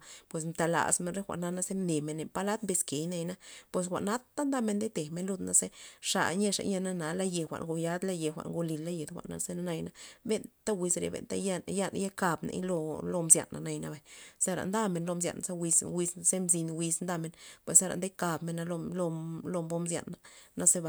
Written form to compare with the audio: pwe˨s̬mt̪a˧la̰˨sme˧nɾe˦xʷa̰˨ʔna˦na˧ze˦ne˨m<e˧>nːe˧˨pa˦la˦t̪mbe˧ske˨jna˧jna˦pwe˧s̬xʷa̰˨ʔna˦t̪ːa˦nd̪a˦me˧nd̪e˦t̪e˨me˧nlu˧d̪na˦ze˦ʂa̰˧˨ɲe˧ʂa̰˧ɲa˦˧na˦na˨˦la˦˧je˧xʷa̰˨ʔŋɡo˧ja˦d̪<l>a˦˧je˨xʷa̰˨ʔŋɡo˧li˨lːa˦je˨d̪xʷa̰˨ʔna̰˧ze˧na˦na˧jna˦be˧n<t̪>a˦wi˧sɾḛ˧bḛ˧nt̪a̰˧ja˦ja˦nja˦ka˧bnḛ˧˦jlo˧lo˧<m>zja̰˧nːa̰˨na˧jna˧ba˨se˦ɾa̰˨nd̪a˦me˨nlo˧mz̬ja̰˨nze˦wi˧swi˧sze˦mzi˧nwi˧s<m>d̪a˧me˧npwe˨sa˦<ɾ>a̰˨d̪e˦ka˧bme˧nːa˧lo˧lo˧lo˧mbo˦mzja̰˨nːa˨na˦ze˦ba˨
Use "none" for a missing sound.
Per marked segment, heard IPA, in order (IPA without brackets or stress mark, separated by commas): e˧, l, t̪, m, n, ɾ